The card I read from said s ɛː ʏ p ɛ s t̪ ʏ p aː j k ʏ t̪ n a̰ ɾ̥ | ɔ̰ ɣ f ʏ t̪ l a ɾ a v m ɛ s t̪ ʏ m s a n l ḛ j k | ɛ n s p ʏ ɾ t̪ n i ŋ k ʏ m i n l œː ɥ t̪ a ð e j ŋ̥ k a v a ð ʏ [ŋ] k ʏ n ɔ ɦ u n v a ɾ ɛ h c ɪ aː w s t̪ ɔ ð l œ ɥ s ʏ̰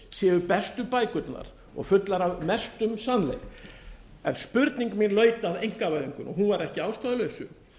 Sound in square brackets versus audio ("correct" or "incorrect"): correct